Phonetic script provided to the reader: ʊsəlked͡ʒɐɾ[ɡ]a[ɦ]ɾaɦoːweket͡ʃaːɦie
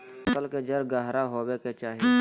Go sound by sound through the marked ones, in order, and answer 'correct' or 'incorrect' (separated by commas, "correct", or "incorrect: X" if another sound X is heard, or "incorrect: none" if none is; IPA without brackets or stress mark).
correct, correct